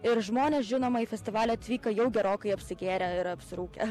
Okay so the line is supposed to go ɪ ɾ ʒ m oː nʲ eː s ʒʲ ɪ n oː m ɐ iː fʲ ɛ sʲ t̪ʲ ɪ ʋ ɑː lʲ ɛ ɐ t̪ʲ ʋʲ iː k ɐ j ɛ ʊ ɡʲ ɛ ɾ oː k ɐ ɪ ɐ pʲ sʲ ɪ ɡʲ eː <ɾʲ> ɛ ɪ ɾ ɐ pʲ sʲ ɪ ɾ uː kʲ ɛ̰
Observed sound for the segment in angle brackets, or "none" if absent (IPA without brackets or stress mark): ɾʲ